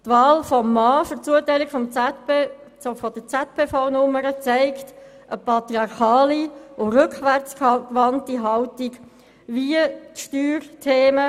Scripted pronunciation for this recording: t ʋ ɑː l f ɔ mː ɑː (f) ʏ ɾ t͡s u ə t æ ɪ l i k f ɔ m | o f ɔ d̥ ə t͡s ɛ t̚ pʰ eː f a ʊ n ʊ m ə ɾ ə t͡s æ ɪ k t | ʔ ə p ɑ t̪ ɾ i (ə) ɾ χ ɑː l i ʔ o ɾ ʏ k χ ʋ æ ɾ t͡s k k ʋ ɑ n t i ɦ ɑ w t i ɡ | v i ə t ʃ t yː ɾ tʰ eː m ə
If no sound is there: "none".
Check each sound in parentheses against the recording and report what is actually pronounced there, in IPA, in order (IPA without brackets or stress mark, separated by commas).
f, ɑ